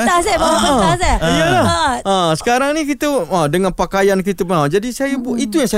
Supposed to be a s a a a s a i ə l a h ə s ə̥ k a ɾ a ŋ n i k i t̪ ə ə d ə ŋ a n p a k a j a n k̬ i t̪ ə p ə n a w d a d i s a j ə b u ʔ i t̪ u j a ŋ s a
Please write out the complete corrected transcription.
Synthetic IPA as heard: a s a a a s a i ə l a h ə s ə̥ k a ɾ a ŋ n i k i t̪ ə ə d ə ŋ a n p a k a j a n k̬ i t̪ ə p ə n a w d͡ʒ a d i s a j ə b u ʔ i t̪ u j a ŋ s a